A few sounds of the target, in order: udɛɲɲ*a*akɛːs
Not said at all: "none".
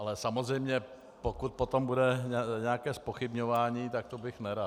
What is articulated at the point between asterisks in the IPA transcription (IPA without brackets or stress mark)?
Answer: ɛ